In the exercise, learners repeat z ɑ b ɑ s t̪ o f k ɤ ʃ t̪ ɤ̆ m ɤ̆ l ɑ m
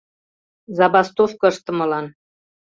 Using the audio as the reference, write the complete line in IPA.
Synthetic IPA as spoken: z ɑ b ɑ s t̪ o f k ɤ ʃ t̪ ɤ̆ m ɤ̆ l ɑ n